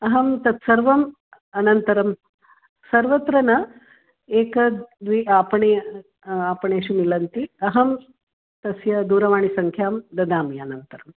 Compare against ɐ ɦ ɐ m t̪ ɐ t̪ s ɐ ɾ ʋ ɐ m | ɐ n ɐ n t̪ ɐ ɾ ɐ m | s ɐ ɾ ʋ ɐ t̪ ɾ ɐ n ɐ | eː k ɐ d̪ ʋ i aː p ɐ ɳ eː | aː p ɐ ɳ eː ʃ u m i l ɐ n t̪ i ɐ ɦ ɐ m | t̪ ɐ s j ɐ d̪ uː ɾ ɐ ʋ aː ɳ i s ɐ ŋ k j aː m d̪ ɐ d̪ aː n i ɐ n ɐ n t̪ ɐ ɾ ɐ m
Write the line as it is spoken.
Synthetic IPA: ɐ ɦ ɐ m t̪ ɐ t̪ s ɐ ɾ ʋ ɐ m | ɐ n ɐ n t̪ ɐ ɾ ɐ m | s ɐ ɾ ʋ ɐ t̪ ɾ ɐ n ɐ | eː k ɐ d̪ ʋ i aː p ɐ ɳ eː | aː p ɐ ɳ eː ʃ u m i l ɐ n t̪ i ɐ ɦ ɐ m | t̪ ɐ s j ɐ d̪ uː ɾ ɐ ʋ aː ɳ i s ɐ ŋ kʰ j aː m d̪ ɐ d̪ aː m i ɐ n ɐ n t̪ ɐ ɾ ɐ m